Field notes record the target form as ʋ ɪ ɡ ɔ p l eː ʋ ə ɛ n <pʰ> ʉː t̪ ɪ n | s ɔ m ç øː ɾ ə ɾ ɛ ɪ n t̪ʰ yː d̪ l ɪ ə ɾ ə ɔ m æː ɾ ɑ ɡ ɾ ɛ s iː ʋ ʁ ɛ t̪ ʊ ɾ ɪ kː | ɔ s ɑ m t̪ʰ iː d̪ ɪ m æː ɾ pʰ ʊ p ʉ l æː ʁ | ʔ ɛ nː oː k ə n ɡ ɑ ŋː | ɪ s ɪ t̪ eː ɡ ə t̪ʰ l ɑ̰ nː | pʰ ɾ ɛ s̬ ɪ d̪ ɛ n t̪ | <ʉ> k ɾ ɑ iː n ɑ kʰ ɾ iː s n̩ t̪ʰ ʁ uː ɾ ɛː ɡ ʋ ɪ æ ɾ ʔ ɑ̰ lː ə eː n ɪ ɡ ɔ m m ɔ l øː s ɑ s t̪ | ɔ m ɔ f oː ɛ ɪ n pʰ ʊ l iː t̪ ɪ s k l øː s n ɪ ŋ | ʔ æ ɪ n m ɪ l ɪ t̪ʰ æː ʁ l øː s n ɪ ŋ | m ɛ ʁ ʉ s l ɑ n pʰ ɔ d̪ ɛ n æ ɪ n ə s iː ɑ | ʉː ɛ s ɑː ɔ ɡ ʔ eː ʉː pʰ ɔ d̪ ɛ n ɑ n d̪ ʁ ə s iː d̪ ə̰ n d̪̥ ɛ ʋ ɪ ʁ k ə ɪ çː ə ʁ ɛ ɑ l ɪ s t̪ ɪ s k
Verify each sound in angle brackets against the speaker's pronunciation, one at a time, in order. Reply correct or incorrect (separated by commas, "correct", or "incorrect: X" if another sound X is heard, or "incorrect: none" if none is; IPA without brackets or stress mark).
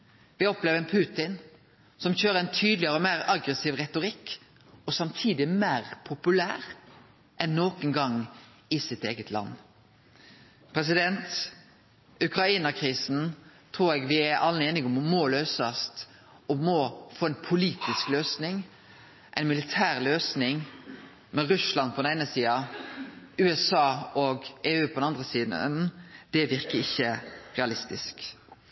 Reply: correct, correct